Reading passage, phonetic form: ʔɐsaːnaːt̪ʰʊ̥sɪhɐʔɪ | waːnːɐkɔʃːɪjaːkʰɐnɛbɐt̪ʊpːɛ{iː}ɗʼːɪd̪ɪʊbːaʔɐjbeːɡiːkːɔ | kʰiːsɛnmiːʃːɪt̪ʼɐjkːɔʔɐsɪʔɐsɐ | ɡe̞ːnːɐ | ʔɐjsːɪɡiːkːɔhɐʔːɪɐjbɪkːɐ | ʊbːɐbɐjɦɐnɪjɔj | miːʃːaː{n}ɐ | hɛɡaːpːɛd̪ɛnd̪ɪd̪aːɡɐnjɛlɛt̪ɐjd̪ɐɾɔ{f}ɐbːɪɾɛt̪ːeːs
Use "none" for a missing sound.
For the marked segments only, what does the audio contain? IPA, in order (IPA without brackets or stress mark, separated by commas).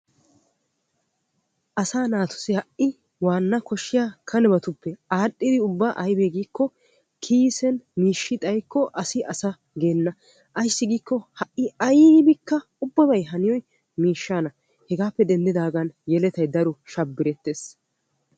aː, n, ʃ